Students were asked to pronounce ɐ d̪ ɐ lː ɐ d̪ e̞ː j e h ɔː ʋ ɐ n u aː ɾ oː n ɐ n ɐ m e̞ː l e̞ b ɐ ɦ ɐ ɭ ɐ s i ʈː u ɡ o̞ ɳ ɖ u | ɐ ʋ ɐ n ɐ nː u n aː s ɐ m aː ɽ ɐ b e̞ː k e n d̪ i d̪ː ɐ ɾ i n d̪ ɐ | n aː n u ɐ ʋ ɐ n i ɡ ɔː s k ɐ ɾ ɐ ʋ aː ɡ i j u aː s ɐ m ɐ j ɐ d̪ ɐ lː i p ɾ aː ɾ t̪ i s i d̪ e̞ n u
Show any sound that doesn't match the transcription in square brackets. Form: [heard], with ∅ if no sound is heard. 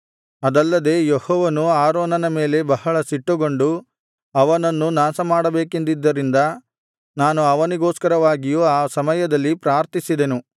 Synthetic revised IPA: ɐ d̪ ɐ lː ɐ d̪ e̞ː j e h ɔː ʋ ɐ n u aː ɾ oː n ɐ n ɐ m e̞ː l e̞ b ɐ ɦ ɐ ɭ ɐ s i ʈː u ɡ o̞ ɳ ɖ u | ɐ ʋ ɐ n ɐ nː u n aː s ɐ m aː ɽ ɐ b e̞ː k e n d̪ i d̪ː ɐ ɾ i n d̪ ɐ | n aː n u ɐ ʋ ɐ n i ɡ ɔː s k ɐ ɾ ɐ ʋ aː ɡ i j u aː s ɐ m ɐ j ɐ d̪ ɐ lː i p ɾ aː ɾ t̪ i s i d̪ e̞ n u